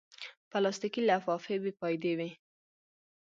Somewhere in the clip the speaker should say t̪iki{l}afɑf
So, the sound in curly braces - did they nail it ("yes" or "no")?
yes